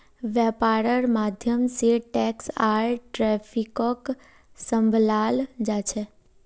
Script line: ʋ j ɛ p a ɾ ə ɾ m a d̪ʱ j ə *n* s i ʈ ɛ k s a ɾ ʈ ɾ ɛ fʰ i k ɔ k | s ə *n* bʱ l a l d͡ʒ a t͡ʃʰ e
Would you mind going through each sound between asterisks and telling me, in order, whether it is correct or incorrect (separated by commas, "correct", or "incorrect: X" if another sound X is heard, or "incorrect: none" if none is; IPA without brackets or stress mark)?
incorrect: m, incorrect: m